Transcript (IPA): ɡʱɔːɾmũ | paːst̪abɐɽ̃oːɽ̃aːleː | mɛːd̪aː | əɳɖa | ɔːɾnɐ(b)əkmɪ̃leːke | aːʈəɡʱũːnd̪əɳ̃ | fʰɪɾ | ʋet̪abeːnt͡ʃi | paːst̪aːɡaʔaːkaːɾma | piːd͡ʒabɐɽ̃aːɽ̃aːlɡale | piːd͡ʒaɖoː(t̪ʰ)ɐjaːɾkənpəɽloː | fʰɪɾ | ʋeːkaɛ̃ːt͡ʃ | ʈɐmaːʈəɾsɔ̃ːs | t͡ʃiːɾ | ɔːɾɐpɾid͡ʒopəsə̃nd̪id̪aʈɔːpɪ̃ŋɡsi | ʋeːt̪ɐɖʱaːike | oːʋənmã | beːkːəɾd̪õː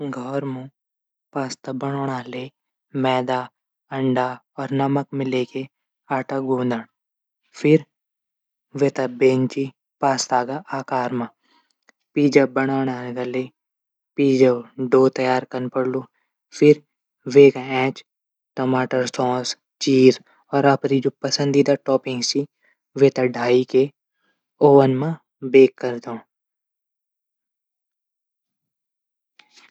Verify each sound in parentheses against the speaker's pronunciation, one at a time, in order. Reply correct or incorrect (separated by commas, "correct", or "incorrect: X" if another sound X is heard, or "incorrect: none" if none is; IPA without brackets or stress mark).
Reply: incorrect: m, incorrect: t̪